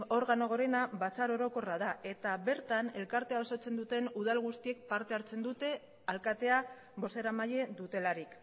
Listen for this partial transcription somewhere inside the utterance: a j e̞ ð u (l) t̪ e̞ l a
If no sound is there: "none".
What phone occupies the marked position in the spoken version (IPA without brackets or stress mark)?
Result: none